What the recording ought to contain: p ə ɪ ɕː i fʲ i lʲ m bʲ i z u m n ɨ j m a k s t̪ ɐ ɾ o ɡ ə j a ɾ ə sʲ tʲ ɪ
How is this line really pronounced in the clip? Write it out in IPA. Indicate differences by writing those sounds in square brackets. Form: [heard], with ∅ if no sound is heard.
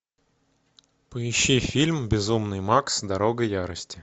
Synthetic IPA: p ə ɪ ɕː i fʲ i lʲ m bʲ [ɪ] z u m n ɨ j m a k s [d̪] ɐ ɾ o ɡ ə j a ɾ ə sʲ tʲ ɪ